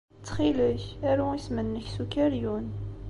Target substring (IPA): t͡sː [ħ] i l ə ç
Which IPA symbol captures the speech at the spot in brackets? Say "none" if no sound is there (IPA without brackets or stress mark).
χ